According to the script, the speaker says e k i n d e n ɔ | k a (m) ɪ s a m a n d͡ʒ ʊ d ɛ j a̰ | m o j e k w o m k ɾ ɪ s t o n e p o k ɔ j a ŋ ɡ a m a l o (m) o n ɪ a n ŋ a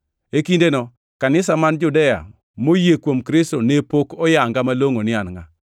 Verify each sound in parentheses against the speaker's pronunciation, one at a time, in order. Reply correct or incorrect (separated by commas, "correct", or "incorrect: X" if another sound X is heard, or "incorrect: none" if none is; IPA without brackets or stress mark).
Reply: incorrect: n, incorrect: ŋ